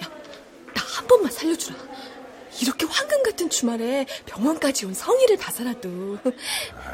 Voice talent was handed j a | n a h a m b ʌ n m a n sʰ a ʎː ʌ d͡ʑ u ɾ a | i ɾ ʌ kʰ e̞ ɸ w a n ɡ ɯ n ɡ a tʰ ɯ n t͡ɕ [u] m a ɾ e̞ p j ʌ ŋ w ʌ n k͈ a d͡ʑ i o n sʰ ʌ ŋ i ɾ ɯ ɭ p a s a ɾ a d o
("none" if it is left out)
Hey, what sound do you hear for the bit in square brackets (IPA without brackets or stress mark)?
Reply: u